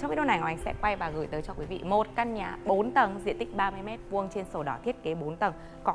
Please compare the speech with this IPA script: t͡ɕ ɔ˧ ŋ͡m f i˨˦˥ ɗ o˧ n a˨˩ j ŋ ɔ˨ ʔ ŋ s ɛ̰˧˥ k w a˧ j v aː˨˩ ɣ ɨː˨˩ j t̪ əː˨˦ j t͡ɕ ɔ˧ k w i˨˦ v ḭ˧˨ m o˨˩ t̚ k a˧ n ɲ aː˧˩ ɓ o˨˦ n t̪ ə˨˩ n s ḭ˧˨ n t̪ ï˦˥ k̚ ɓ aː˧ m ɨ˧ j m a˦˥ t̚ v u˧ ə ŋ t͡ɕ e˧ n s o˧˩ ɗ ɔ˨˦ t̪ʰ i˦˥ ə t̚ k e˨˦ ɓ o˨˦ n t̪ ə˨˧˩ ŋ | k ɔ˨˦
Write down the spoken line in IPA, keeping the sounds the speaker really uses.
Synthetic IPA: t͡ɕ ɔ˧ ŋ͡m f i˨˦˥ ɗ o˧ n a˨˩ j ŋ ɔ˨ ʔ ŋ s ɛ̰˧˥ k w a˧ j v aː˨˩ ɣ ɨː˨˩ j t̪ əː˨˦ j t͡ɕ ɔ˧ k w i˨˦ v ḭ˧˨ m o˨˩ t̚ k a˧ n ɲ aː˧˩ ɓ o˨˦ n t̪ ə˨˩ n z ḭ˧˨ n t̪ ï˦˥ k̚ ɓ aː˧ m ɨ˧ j m ɛ˦˥ t̚ v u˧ ə ŋ t͡ɕ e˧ n s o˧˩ ɗ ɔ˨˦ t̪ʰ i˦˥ ə t̚ k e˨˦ ɓ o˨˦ n t̪ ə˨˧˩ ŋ | k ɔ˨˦

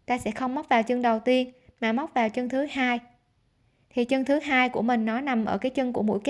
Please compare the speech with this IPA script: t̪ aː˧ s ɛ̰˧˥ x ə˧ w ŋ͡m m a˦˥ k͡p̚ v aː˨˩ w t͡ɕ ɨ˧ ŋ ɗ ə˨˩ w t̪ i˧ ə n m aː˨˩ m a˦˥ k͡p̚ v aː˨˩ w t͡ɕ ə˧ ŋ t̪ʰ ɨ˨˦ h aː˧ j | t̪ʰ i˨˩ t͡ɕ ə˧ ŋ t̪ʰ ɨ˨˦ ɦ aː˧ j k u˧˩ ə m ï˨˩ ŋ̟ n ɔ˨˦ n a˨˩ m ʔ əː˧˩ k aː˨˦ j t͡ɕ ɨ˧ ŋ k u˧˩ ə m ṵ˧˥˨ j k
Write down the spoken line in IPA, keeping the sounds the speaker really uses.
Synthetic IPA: t̪ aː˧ s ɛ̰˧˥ x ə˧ w ŋ͡m m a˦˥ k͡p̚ v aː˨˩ w t͡ɕ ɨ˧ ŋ ɗ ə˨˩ w t̪ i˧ ə n m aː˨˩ m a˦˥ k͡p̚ v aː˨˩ w t͡ɕ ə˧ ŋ t̪ʰ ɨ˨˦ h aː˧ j | t̪ʰ i˨˩ t͡ɕ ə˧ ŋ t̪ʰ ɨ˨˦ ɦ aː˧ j k u˧˩ ə m ï˨˩ ŋ̟ n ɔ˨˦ n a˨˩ m ʔ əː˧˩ k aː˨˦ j t͡ɕ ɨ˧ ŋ k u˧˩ ə m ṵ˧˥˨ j k

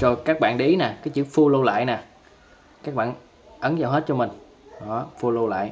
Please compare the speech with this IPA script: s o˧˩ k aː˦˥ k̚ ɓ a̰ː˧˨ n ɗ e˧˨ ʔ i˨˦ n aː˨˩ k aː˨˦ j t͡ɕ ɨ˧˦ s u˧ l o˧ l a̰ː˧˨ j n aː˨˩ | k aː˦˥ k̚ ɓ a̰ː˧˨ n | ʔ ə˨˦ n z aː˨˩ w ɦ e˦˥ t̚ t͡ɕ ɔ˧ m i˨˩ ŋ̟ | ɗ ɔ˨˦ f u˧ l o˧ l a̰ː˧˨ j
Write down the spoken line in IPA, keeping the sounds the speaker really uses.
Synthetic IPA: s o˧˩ k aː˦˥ k̚ ɓ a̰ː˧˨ n ɗ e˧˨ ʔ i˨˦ n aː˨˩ k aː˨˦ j t͡ɕ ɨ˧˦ f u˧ l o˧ l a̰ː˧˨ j n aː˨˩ | k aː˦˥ k̚ ɓ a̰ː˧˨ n | ʔ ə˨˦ n z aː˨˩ w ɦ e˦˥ t̚ t͡ɕ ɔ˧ m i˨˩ ŋ̟ | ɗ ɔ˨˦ f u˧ l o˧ l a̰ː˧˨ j

